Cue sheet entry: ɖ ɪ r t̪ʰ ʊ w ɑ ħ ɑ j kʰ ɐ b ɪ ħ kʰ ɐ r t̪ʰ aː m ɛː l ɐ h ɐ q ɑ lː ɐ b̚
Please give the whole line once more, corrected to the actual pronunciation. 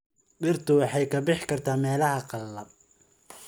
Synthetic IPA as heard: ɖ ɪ r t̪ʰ ʊ w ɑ ħ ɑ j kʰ ɐ b ɪ ħ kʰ ɐ r t̪ʰ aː m ɛː l ɐ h ɐ q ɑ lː ɐ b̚